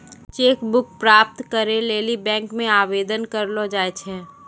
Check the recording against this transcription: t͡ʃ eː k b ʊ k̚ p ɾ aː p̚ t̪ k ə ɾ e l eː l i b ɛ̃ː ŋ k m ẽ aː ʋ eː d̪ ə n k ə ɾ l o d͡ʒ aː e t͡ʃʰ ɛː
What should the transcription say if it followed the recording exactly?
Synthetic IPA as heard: t͡ʃ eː k b ʊ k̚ p ɾ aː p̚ t̪ k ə ɾ e l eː l i b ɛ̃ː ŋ k m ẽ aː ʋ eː d̪ ə n k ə ɾ l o d͡ʒ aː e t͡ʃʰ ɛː